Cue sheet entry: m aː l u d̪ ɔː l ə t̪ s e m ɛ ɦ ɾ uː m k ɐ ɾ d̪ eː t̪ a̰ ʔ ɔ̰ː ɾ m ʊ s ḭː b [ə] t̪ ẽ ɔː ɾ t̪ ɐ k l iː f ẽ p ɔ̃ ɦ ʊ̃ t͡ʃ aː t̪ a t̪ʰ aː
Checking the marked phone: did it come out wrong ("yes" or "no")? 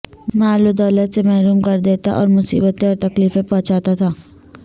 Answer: no